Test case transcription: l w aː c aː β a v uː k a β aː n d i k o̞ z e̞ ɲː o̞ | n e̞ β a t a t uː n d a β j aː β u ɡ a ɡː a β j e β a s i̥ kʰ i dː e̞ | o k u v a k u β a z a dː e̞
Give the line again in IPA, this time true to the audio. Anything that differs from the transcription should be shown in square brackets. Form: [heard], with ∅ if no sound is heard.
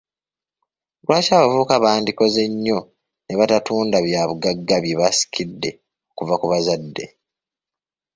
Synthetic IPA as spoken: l w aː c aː β a v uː k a β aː n d i k o̞ z e̞ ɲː o̞ | n e̞ β a t a t uː n d a β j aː β u ɡ a ɡː a β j e β a s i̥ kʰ i dː e̞ | o k u v a k u β a z a dː e̞